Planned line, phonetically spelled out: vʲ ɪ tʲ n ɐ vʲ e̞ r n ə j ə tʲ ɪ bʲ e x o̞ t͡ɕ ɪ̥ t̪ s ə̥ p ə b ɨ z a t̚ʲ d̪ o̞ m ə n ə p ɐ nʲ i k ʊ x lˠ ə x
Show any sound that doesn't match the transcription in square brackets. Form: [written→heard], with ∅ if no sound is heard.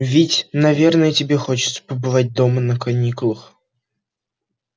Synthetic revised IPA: vʲ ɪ tʲ n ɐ vʲ e̞ r n ə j ə tʲ ɪ bʲ e x o̞ t͡ɕ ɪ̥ t̪ s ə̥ p ə b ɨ [z→v] a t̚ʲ d̪ o̞ m ə n ə [p→k] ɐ nʲ i k ʊ [x→∅] lˠ ə x